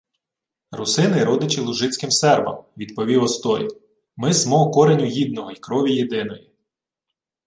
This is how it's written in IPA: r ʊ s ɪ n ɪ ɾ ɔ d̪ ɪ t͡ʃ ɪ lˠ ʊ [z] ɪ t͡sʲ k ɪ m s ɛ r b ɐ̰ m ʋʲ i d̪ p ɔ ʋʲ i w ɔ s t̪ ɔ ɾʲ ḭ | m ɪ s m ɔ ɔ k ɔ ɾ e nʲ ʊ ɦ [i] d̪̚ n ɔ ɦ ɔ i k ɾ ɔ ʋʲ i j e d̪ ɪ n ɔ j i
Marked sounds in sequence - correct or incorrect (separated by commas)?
incorrect, correct